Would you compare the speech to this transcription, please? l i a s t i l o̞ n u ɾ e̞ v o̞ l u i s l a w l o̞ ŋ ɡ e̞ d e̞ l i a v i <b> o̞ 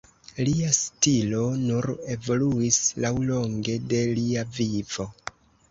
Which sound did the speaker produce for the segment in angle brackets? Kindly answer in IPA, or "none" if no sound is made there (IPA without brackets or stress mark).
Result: v